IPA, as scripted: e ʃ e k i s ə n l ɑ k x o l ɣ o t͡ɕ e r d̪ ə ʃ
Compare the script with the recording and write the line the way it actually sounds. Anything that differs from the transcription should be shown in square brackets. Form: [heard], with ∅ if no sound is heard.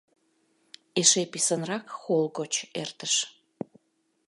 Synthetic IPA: e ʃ e [p] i s ə n [r] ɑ k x o l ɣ o t͡ɕ e r [t̪] ə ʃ